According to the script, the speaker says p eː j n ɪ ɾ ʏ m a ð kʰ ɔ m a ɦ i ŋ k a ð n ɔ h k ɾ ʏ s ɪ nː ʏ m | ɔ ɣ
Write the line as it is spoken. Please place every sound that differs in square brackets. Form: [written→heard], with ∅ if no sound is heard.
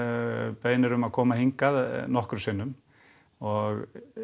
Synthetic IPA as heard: p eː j n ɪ ɾ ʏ m a ð kʰ [ɔ→ɔː] m a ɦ i ŋ k a ð n ɔ h k ɾ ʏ s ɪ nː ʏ m | ɔ ɣ